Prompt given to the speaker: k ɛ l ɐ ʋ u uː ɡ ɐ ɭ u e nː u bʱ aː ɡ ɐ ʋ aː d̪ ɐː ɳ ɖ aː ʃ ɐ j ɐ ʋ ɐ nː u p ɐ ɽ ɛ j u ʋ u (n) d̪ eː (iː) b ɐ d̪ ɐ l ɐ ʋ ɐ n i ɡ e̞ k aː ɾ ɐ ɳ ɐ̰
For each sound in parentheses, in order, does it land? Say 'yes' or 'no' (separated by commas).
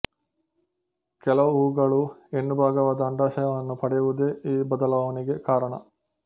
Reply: no, yes